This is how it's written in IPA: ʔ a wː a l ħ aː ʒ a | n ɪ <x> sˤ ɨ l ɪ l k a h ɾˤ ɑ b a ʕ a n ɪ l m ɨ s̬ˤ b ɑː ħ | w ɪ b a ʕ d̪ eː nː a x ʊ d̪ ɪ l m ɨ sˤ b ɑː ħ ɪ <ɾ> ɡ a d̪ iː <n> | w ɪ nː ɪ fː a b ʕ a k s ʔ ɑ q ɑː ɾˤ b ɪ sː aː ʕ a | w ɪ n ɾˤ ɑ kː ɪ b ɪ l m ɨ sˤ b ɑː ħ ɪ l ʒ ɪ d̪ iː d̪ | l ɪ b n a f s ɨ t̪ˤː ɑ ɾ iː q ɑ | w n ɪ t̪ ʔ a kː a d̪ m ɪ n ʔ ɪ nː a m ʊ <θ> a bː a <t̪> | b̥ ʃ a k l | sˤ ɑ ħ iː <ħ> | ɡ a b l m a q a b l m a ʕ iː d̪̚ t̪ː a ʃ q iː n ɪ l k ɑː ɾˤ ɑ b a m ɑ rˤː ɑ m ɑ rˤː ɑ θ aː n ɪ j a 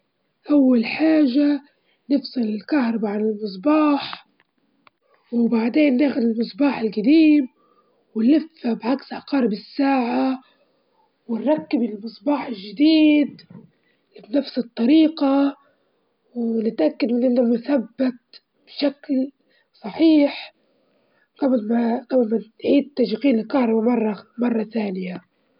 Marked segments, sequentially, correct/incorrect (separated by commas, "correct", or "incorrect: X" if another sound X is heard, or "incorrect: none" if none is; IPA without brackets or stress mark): incorrect: f, incorrect: l, incorrect: m, correct, correct, correct